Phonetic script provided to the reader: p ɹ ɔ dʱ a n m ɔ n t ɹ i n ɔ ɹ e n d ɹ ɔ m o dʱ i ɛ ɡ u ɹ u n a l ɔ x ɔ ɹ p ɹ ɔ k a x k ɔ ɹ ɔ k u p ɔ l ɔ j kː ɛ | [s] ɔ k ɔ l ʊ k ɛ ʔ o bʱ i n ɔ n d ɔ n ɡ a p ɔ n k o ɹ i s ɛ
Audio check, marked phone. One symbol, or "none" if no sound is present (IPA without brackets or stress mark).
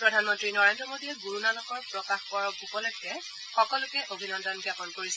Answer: x